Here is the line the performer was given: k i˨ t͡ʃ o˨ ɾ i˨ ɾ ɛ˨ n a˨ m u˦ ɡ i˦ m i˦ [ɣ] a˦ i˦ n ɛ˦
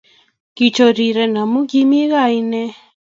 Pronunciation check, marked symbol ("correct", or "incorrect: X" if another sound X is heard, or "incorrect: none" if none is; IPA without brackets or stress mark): correct